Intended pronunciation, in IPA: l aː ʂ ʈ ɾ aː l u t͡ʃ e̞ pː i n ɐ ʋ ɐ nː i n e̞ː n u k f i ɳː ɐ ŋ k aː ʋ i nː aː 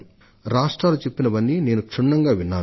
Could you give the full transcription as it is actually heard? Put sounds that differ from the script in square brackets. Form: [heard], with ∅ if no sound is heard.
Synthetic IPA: [ɾ] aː ʂ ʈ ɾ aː l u t͡ʃ e̞ pː i n ɐ ʋ ɐ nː i n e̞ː n u k [ʂ] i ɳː ɐ ŋ [ɡ] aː ʋ i nː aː